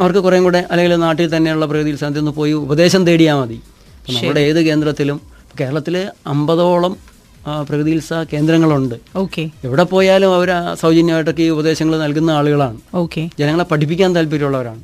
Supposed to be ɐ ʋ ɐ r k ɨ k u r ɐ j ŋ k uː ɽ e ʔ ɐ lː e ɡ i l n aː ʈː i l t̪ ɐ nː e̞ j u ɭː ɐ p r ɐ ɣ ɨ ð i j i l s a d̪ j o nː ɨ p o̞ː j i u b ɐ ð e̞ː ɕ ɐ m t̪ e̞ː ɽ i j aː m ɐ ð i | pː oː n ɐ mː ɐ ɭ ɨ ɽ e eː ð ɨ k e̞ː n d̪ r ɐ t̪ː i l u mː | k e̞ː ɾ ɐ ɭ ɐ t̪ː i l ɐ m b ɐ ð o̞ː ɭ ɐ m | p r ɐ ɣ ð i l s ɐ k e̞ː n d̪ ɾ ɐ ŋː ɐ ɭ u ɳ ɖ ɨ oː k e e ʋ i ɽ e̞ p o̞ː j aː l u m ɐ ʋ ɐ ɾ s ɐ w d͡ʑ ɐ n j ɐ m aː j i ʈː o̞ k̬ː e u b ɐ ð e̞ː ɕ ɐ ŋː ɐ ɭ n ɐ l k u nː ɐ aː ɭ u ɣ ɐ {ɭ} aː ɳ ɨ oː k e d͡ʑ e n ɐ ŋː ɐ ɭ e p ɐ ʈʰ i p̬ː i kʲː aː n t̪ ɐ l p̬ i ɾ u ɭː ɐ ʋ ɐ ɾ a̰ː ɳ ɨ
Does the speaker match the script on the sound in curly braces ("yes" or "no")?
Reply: yes